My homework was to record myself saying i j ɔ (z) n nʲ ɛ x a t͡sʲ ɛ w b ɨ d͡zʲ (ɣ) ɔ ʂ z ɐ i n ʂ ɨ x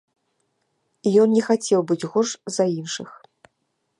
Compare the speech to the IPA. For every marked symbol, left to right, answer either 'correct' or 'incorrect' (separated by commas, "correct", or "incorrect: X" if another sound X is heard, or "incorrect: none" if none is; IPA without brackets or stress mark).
incorrect: none, correct